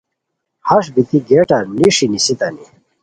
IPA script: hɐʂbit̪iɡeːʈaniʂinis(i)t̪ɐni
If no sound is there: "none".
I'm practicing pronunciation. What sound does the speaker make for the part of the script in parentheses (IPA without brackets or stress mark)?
i